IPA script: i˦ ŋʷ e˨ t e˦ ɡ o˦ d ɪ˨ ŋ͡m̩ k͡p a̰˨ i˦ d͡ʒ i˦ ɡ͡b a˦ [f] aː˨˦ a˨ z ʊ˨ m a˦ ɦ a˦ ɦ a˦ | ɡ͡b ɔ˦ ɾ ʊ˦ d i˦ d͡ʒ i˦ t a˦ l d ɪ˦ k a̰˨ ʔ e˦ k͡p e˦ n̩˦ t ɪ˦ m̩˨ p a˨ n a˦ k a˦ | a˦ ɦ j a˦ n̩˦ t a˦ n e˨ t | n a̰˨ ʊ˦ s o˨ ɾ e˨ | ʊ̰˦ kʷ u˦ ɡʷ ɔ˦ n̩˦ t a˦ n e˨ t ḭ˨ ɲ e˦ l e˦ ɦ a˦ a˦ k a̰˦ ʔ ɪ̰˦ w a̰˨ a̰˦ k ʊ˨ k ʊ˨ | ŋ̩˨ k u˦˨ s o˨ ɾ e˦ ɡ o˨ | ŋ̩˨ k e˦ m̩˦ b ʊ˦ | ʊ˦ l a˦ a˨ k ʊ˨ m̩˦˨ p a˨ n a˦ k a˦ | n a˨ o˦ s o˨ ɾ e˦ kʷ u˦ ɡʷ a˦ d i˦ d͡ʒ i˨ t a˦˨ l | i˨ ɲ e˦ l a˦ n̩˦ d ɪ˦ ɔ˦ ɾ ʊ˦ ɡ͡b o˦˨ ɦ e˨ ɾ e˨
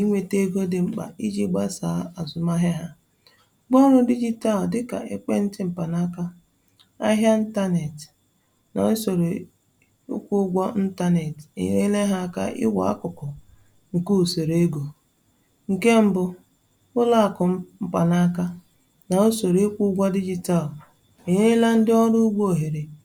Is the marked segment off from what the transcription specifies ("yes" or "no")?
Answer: yes